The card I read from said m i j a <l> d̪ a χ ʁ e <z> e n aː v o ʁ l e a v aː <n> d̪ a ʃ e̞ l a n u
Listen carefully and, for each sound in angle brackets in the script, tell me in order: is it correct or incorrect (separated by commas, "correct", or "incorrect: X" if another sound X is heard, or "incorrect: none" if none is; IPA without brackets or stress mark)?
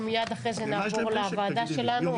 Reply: incorrect: none, correct, incorrect: none